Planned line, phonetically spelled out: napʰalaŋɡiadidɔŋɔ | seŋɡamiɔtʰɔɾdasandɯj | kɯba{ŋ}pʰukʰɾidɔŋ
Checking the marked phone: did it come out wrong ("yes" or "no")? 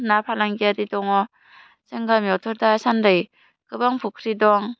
no